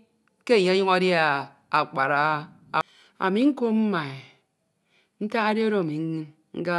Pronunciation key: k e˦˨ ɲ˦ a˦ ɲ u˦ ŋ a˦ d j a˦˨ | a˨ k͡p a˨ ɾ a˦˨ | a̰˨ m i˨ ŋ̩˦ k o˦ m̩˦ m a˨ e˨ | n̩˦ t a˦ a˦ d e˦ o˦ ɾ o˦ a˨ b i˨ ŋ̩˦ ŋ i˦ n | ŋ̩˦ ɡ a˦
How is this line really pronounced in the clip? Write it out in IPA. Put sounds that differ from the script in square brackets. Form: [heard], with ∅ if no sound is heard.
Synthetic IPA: k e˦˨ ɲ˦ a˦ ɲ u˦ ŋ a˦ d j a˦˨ | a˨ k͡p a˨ ɾ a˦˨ | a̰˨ m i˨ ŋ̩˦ k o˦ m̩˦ m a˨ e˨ | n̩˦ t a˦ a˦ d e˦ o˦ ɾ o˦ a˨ [m] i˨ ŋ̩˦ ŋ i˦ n | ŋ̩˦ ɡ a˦